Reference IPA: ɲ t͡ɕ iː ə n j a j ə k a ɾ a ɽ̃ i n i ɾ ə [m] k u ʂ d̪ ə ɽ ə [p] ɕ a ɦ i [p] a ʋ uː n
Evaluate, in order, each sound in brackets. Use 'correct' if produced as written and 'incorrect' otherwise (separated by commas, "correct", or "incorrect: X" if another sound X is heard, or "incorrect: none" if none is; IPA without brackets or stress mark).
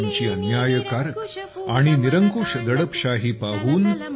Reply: incorrect: ŋ, correct, correct